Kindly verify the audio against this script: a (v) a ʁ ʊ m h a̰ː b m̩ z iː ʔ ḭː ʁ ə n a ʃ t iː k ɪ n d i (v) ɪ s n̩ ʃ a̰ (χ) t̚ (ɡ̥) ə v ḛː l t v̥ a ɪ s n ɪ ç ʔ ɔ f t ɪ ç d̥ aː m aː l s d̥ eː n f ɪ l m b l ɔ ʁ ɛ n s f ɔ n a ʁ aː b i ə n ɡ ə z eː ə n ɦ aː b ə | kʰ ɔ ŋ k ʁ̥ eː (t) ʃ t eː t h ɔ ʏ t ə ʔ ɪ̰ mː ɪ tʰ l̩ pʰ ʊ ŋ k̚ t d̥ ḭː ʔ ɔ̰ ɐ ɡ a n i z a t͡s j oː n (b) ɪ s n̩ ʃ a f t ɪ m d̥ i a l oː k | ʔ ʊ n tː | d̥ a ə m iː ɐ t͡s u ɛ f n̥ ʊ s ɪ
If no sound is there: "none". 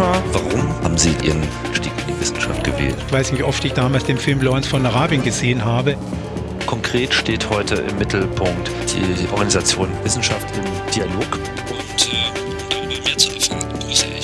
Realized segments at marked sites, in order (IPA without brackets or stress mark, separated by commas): v, v, f, ɡ̥, t, v